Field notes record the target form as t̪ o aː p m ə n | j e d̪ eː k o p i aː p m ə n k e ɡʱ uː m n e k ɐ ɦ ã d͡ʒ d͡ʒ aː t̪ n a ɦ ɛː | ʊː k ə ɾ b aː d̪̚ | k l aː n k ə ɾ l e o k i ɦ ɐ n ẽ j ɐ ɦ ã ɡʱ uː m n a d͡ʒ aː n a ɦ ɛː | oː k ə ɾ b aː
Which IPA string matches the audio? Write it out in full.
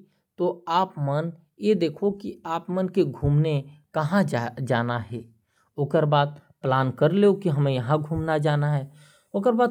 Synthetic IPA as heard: t̪ o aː p m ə n | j e d̪ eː kʰ o k i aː p m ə n k e ɡʱ uː m n e k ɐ ɦ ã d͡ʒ d͡ʒ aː n a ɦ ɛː | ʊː k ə ɾ b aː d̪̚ | p l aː n k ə ɾ l e o k i ɦ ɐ m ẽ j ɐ ɦ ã ɡʱ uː m n a d͡ʒ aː n a ɦ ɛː | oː k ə ɾ b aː